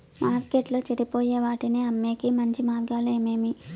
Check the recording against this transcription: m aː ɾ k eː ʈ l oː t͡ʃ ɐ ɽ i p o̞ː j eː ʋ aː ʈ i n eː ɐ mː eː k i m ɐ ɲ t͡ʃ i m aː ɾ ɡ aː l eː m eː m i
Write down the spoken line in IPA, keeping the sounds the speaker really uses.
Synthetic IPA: m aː ɾ k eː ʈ l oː t͡ʃ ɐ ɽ i p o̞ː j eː ʋ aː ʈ i n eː ɐ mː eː k i m ɐ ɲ t͡ʃ i m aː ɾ ɡ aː l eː m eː m i

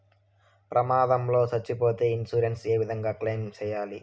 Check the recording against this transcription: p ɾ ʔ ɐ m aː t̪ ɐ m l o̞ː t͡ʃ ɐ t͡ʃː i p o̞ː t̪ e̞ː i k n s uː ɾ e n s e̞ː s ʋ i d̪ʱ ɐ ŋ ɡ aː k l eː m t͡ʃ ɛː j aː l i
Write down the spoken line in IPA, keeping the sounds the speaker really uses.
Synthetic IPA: p ɾ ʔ ɐ m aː d̪ ɐ m l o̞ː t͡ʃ ɐ t͡ʃː i p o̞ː t̪ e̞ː i n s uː ɾ e n s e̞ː ʋ i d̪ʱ ɐ ŋ ɡ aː k l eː m t͡ʃ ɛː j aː l i

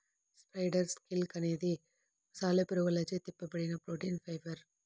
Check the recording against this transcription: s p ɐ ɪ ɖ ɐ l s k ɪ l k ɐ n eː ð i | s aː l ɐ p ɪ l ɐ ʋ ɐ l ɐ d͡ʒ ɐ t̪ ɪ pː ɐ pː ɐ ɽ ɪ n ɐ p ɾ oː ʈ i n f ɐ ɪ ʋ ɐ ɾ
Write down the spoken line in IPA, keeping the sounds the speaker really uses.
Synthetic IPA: s p ɐ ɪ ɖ ɐ ɾ s k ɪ l k ɐ n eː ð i | s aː l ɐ p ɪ ɾ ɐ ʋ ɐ l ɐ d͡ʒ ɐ t̪ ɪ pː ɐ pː ɐ ɽ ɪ n ɐ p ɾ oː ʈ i n f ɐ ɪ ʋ ɐ ɾ

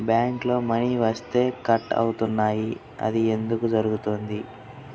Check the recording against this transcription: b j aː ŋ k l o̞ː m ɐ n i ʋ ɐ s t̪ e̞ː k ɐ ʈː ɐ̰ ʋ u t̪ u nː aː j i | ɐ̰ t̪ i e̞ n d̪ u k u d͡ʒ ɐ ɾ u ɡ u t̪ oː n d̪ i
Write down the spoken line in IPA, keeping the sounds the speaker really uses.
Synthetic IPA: b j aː ŋ k l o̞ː m ɐ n i ʋ ɐ s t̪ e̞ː k ɐ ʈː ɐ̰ w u t̪ u nː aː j i | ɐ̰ d̪ i e̞ n d̪ u k u d͡ʒ ɐ ɾ u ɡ u t̪ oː n d̪ i

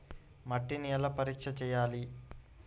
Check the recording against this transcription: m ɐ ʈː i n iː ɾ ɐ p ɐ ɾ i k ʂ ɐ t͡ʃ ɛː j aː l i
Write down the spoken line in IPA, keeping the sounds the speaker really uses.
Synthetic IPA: m ɐ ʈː i n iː l ɐ p ɐ ɾ i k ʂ ɐ t͡ʃ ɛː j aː l i

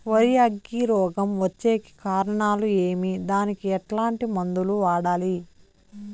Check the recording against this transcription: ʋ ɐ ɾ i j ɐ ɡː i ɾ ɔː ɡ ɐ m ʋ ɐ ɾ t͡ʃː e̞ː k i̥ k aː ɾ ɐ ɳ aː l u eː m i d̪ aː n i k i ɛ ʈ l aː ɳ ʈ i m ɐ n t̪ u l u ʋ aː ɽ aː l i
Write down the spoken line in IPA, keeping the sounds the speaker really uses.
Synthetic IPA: ʋ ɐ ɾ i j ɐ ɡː i ɾ ɔː ɡ ɐ m ʋ ɐ t͡ʃː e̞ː k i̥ k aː ɾ ɐ ɳ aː l u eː m i d̪ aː n i k i ɛ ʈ l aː ɳ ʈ i m ɐ n d̪ u l u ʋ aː ɽ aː l i

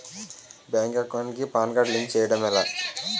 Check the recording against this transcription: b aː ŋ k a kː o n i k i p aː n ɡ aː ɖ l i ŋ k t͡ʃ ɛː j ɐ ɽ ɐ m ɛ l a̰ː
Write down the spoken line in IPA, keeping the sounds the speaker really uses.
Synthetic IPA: b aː ŋ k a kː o n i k i p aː n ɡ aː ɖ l i ŋ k t͡ʃ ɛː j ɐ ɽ ɐ m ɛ l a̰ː

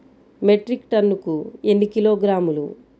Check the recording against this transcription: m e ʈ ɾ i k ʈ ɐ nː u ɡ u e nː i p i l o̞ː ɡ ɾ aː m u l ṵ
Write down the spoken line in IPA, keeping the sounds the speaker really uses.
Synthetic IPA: m e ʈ ɾ i k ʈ ɐ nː u k u e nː i k i l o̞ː ɡ ɾ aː m u l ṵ

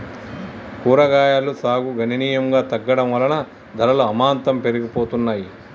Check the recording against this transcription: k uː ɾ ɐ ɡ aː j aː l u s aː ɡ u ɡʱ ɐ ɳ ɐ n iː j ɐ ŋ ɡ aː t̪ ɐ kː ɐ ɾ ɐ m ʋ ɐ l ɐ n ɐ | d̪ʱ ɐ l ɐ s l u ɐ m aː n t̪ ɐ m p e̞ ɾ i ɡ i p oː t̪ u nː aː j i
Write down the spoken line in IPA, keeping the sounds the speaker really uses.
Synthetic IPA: k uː ɾ ɐ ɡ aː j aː l u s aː ɡ u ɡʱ ɐ n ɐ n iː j ɐ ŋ ɡ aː t̪ ɐ ɡː ɐ ɽ ɐ m ʋ ɐ l ɐ n ɐ | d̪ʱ ɐ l ɐ l u ɐ m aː n t̪ ɐ m p e̞ ɾ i ɡ i p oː t̪ u nː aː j i

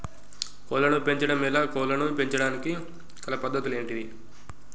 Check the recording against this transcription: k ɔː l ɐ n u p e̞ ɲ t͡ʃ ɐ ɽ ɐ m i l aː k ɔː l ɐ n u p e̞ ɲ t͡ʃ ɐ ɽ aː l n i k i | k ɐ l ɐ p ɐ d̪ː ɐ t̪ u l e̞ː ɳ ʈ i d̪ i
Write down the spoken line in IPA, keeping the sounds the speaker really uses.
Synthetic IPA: k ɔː l ɐ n u p e̞ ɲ t͡ʃ ɐ ɽ ɐ m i l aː k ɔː l ɐ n u p e̞ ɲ t͡ʃ ɐ ɽ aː n i k i | k ɐ l ɐ p ɐ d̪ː ɐ t̪ u l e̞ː ɳ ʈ i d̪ i

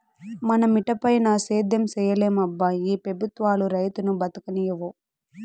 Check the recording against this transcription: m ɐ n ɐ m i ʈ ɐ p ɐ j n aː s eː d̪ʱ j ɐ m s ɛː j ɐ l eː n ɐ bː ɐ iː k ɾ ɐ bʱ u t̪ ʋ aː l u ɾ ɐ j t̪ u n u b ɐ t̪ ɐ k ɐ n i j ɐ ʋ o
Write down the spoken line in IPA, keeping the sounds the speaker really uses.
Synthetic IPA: m ɐ n ɐ m i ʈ ɐ p ɐ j n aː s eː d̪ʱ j ɐ m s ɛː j ɐ l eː m ɐ bː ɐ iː p ɾ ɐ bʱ u t̪ ʋ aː l u ɾ ɐ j t̪ u n u b ɐ t̪ ɐ k ɐ n i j ɐ ʋ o

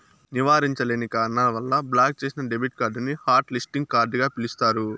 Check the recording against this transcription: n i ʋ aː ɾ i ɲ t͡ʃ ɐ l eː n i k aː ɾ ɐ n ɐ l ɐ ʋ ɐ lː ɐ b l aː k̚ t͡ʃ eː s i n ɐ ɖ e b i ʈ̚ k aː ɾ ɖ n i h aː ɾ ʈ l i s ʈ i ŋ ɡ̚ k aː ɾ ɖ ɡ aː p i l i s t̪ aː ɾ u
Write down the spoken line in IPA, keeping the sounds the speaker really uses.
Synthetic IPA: n i ʋ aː ɾ i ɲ t͡ʃ ɐ l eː n i k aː ɾ ɐ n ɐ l ɐ ʋ ɐ lː ɐ b l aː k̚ t͡ʃ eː s i n ɐ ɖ e b i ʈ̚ k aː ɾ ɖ n i h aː ɾ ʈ l i s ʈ i ŋ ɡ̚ k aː ɾ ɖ ɡ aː p i l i s t̪ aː ɾ u

